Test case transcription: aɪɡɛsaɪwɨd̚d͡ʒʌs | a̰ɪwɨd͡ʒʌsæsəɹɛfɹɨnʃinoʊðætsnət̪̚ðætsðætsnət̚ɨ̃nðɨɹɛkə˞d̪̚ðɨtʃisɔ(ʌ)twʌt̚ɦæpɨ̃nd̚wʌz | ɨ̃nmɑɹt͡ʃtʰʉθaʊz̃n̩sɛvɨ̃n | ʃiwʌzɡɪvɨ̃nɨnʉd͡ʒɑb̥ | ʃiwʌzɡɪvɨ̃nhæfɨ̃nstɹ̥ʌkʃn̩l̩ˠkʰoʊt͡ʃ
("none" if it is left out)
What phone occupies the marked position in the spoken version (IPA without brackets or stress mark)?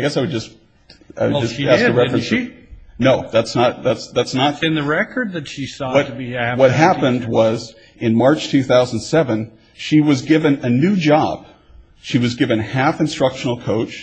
ʌ